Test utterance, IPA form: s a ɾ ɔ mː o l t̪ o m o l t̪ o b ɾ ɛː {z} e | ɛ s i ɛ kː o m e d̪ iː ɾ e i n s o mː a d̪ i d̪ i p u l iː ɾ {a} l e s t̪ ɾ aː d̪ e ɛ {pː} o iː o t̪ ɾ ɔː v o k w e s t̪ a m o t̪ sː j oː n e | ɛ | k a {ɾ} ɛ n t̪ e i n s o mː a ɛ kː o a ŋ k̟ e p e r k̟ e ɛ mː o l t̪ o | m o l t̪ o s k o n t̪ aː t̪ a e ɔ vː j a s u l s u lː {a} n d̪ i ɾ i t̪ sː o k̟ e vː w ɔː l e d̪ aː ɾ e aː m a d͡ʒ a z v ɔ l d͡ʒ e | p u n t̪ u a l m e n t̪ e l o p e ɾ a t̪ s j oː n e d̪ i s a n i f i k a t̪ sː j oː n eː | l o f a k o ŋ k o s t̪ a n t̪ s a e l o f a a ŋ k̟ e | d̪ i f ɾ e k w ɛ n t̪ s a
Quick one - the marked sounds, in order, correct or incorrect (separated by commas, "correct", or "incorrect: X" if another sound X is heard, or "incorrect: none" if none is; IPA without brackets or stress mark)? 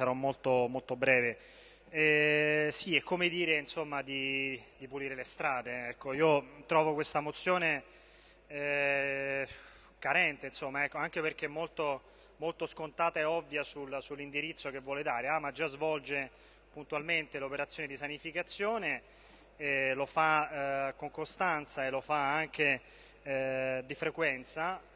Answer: incorrect: v, incorrect: e, incorrect: kː, correct, incorrect: i